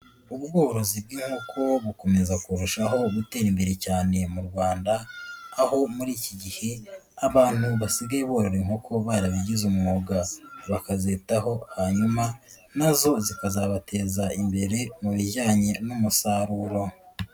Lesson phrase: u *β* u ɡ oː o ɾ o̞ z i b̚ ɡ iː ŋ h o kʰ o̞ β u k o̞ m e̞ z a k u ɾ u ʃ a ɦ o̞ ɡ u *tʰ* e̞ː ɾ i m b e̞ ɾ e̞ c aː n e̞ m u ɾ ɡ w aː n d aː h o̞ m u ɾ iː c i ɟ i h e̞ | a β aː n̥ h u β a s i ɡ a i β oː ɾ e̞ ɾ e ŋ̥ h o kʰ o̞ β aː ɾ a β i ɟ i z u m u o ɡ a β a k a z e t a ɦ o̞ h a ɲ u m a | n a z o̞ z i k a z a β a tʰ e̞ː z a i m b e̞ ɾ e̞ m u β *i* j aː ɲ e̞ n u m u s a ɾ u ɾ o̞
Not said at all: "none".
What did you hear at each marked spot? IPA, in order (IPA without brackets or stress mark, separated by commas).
β, t, i